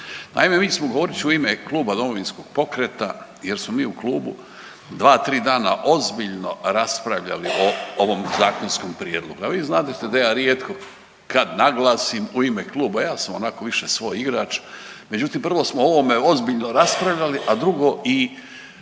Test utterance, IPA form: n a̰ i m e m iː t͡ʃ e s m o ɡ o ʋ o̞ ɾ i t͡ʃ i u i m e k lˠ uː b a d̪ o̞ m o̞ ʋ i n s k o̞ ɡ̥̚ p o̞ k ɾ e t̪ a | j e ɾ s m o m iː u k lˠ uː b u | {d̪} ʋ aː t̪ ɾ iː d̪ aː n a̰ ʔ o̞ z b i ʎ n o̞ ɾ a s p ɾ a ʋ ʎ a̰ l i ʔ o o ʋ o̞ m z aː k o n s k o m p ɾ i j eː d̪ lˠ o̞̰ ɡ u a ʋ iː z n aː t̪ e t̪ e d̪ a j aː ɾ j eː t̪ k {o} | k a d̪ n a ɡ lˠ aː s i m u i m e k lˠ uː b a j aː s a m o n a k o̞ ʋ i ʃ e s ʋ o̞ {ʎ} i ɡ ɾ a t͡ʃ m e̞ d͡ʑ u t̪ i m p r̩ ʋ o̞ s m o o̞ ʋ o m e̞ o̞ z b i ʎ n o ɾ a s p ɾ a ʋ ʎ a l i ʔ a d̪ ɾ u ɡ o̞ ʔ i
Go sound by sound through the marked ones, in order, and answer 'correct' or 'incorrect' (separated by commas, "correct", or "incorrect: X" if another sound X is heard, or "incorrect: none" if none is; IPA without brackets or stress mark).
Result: correct, correct, incorrect: j